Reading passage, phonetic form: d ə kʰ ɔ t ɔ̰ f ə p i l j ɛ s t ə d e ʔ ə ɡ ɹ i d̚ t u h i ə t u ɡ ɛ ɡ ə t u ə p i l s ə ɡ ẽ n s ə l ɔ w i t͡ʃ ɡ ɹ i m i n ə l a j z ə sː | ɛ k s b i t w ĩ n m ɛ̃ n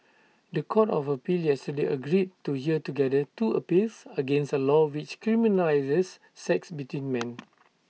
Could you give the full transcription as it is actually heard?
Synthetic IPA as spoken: d ə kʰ ɔ t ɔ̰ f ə p i l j ɛ s t ə d e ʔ ə ɡ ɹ i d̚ t u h i ə t u ɡ ɛ d ə t u ə p i l s ə ɡ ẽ n s ə l ɔ w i t͡ʃ k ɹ i m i n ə l a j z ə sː | ɛ k s b i t w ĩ n m ɛ̃ n